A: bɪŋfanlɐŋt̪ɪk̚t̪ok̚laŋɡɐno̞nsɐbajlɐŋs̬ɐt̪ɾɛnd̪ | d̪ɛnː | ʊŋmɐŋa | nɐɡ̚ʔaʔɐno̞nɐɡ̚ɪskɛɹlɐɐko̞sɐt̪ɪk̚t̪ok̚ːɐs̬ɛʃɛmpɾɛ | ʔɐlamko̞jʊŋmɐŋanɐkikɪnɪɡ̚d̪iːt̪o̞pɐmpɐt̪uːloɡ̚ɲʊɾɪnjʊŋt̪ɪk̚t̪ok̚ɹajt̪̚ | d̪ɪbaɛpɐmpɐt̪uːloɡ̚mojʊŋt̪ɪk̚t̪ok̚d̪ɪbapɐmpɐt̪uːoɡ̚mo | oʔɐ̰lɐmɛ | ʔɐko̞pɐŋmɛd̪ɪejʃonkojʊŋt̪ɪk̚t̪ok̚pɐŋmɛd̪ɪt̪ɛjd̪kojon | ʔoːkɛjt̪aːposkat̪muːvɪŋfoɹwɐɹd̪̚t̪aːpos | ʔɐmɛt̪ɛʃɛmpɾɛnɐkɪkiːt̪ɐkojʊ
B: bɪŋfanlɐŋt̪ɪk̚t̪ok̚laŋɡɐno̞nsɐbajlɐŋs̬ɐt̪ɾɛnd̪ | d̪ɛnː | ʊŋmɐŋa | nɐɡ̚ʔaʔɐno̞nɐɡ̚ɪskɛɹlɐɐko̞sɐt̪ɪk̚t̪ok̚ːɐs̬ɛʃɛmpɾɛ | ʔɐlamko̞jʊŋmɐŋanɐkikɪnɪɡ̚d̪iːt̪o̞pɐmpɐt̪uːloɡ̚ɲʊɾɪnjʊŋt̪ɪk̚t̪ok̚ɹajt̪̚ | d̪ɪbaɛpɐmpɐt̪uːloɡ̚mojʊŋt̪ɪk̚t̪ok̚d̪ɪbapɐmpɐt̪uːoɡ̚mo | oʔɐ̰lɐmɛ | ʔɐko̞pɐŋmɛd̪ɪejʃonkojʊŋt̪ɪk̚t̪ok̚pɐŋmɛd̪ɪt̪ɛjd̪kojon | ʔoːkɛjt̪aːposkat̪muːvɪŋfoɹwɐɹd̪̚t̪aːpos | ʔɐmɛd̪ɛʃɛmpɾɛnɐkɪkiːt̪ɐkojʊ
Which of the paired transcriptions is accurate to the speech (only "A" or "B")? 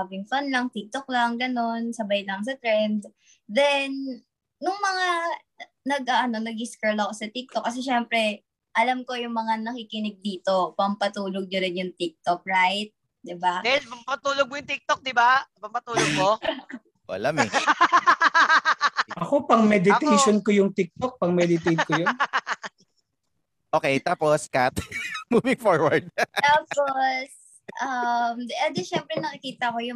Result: B